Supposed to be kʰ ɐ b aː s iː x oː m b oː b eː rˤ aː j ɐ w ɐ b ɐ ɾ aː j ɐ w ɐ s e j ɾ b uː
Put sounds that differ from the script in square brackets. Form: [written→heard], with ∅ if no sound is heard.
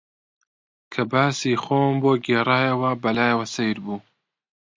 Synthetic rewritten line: kʰ ɐ b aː s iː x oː m b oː [b→ɡ] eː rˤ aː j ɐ w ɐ b ɐ [ɾ→l] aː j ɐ w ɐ s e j ɾ b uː